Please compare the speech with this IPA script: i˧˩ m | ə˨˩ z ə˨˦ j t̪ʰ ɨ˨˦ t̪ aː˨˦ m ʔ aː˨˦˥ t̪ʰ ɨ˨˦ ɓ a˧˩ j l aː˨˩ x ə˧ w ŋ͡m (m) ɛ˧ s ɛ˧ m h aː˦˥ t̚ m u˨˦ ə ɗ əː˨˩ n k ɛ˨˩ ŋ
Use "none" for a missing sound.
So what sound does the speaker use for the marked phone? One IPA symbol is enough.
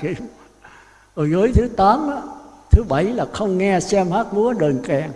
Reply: ŋ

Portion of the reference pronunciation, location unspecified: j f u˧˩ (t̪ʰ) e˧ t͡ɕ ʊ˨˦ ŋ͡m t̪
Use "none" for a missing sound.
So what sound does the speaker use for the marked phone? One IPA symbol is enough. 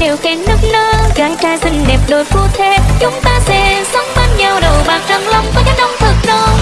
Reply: t̪ʰ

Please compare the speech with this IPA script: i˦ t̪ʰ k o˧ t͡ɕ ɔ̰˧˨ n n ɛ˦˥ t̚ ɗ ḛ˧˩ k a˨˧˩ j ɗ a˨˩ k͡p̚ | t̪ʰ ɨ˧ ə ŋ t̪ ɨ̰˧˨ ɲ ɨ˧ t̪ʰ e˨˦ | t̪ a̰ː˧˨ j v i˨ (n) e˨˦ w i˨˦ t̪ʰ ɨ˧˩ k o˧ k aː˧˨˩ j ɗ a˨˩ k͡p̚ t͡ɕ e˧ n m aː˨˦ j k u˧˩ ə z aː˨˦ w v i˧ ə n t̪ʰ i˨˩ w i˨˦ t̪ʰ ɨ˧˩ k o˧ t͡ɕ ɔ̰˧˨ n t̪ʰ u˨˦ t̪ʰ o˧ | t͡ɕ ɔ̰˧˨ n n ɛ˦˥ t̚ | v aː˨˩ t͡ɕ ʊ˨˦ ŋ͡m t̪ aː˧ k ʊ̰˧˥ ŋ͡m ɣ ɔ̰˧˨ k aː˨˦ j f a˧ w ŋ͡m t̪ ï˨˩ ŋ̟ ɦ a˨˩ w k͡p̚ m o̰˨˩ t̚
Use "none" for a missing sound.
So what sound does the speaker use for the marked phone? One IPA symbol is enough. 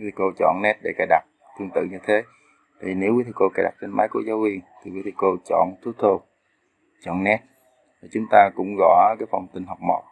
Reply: n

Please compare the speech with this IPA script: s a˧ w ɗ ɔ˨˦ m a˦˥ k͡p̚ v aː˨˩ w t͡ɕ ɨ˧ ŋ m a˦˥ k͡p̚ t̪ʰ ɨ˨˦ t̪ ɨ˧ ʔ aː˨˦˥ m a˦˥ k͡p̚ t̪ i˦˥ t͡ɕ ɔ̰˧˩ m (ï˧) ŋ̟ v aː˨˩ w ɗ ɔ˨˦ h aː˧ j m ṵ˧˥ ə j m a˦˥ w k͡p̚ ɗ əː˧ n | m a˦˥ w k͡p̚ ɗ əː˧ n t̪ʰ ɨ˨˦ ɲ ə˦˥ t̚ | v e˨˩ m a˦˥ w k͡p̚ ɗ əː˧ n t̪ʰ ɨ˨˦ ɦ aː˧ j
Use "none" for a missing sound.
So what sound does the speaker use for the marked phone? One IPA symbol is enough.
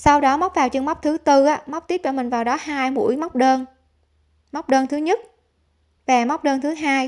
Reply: ï˨˩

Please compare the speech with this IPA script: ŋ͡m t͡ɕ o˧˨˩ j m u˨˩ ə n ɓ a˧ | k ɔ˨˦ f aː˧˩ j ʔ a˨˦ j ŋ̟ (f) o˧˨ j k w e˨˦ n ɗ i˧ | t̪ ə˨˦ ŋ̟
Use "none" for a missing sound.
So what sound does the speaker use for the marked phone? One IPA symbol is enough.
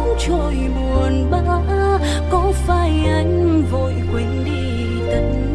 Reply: v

